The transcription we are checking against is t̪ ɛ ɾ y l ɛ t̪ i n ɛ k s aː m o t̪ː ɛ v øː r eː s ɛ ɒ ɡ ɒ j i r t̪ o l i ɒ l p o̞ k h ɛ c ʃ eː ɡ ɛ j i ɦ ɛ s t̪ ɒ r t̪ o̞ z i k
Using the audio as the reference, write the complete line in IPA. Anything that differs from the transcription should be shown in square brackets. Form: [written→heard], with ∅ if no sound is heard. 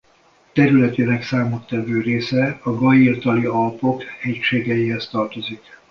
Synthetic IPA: t̪ ɛ ɾ y l ɛ t̪ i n ɛ k s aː m o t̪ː ɛ v øː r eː s ɛ ɒ ɡ ɒ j i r t̪ [o→ɒ] l i ɒ l p o̞ k h ɛ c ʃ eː ɡ ɛ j i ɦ ɛ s t̪ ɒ r t̪ o̞ z i k